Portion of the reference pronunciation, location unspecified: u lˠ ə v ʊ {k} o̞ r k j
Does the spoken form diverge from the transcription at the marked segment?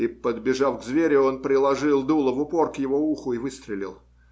yes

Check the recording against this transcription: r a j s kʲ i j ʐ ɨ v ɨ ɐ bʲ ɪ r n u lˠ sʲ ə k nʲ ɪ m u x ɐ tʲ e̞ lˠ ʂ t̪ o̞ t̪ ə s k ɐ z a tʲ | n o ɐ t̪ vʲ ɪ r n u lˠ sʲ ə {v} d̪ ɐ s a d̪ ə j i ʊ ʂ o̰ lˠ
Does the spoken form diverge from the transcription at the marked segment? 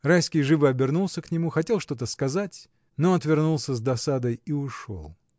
yes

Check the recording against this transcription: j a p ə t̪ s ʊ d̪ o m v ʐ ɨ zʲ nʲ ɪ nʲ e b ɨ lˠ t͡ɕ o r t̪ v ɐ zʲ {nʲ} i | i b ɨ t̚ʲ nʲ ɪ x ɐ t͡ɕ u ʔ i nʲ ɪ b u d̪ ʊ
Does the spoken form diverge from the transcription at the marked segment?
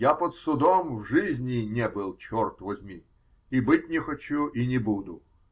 yes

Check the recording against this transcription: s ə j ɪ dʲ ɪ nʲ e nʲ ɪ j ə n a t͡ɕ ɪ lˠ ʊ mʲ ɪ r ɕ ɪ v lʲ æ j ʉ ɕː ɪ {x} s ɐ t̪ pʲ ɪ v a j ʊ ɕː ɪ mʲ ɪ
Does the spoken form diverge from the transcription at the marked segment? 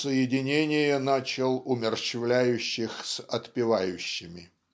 no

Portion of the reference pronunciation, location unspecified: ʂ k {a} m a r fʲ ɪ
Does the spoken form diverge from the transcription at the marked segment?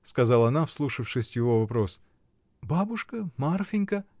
yes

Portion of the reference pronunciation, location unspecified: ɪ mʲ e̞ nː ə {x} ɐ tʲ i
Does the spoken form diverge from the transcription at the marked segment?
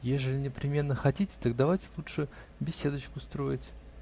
no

